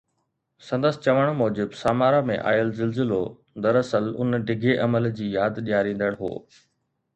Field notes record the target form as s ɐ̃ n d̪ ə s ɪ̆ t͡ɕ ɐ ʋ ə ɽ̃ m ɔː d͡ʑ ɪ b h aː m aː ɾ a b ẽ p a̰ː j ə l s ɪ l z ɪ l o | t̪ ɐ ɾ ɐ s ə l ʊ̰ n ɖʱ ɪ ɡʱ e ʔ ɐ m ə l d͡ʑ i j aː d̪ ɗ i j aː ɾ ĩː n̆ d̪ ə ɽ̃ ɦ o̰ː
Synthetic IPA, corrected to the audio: s ɐ̃ n d̪ ə s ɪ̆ t͡ɕ ɐ ʋ ə ɽ̃ m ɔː d͡ʑ ɪ b s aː m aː ɾ a m ẽ ʔ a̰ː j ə l z ɪ l z ɪ l o | d̪ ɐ ɾ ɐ s ə l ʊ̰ n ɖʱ ɪ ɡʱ e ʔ ɐ m ə l d͡ʑ iː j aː d̪ ɗ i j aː ɾ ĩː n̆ d̪ ə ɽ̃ ɦ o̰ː